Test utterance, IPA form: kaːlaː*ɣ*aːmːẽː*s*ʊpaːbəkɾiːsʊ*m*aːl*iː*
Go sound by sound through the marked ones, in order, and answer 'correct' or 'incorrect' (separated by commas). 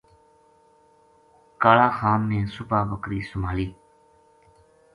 incorrect, correct, correct, correct